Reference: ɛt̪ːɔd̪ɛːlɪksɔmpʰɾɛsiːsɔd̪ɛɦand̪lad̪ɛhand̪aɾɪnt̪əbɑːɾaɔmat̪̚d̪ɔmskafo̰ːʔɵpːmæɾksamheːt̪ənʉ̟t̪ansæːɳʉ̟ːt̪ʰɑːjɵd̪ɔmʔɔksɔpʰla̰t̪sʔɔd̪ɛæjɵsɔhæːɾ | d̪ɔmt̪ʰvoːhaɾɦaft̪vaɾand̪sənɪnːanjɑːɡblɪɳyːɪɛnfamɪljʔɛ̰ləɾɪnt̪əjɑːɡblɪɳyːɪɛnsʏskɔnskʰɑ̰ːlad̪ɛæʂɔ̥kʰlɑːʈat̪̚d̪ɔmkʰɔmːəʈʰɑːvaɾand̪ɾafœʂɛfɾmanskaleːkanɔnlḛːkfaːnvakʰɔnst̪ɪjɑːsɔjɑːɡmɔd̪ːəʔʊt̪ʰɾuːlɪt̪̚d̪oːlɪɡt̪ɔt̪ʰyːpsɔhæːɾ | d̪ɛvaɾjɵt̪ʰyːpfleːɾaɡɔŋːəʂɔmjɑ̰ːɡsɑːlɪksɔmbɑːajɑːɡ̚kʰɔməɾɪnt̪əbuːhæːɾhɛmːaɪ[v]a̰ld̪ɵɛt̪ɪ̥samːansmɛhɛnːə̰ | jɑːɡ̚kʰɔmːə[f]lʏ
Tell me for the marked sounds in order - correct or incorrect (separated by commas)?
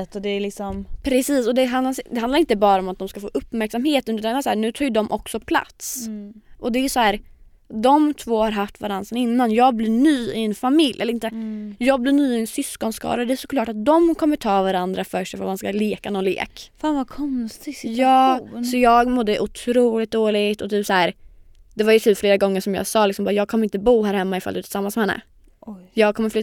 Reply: incorrect, correct